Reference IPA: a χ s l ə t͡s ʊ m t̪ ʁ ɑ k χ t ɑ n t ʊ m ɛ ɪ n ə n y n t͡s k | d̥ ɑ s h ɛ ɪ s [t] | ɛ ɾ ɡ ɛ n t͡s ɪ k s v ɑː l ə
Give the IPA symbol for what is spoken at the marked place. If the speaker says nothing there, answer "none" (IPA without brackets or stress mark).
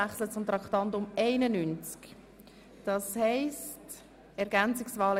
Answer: t